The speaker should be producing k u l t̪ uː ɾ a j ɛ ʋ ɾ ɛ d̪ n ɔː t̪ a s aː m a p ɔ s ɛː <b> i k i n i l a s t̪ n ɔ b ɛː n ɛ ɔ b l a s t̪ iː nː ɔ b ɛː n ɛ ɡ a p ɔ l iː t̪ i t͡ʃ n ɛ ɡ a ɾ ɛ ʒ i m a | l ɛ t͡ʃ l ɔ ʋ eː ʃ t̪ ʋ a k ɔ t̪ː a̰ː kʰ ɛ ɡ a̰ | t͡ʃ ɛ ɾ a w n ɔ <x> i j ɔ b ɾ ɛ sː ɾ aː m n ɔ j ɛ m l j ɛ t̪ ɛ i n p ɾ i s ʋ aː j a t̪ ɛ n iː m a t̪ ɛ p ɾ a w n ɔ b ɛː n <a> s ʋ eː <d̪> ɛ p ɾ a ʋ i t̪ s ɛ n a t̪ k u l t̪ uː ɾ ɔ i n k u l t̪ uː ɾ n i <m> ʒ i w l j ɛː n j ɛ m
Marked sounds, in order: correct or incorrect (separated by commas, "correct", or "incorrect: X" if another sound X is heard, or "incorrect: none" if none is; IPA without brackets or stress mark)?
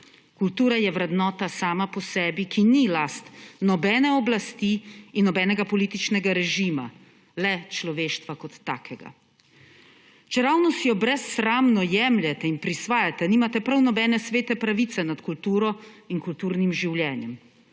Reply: correct, incorrect: s, incorrect: ɛ, incorrect: t̪, correct